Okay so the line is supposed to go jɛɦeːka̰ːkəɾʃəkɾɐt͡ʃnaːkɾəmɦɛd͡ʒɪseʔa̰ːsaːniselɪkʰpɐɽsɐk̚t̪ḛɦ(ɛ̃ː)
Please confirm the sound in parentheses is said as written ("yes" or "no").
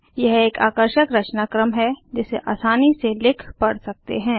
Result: yes